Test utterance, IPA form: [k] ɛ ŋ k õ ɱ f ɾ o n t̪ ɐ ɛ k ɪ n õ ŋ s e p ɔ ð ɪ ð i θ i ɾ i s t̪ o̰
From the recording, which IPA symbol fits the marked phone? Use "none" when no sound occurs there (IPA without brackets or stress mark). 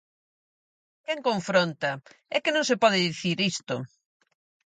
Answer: k